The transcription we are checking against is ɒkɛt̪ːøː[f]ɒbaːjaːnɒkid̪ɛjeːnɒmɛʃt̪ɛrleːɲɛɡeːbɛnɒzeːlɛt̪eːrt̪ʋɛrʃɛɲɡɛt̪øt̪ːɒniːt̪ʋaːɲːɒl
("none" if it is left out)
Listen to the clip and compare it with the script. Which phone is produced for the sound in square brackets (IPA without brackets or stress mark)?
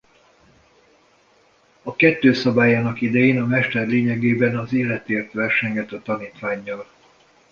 s